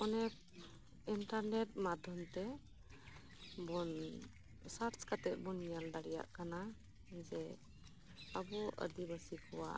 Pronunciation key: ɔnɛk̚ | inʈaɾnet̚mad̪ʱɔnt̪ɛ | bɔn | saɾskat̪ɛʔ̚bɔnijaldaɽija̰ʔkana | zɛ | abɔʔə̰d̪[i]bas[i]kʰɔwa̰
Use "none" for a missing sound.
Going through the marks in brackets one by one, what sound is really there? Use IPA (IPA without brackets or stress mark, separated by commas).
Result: i, i